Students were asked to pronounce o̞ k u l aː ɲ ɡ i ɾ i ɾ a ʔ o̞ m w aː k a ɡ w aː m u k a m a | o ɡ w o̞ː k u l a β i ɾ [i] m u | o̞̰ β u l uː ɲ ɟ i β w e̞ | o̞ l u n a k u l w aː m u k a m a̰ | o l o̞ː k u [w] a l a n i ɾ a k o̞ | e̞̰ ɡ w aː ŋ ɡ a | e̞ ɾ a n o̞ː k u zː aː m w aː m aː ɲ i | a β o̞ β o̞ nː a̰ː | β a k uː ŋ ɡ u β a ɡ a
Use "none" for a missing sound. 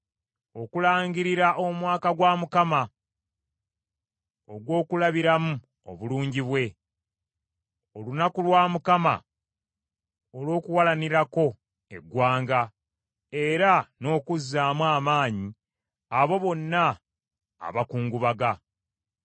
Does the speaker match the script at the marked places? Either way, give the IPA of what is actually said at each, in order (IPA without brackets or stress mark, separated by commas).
a, w